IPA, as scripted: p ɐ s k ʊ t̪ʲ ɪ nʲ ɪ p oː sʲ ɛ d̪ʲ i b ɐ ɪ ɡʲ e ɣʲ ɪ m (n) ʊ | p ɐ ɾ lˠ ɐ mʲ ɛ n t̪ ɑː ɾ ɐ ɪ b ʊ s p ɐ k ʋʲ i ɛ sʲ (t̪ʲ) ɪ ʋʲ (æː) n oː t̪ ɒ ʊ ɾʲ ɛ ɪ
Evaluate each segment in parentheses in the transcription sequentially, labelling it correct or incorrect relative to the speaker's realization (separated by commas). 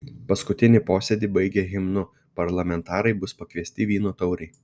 correct, correct, incorrect